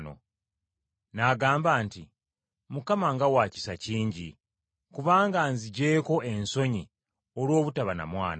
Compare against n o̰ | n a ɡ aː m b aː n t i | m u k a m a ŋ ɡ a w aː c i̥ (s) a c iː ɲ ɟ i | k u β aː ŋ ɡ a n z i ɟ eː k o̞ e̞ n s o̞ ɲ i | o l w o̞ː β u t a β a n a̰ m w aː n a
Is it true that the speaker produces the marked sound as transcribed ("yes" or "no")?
yes